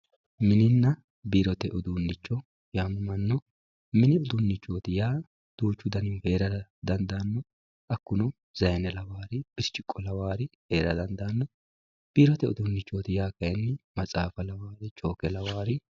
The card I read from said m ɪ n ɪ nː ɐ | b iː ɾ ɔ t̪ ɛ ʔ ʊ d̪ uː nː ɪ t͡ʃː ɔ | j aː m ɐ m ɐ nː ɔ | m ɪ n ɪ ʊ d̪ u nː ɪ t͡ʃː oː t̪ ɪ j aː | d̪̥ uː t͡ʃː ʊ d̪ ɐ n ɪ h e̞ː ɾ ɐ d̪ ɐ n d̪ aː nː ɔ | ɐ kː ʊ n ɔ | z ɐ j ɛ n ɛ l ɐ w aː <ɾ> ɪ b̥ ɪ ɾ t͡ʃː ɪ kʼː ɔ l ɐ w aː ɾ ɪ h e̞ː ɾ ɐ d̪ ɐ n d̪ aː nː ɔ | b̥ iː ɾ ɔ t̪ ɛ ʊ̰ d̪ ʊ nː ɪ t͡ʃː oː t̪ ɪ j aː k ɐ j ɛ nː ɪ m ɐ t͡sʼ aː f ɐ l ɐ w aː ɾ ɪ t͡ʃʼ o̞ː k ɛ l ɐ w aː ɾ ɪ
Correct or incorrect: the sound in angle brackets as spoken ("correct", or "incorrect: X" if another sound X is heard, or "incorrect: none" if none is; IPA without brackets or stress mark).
correct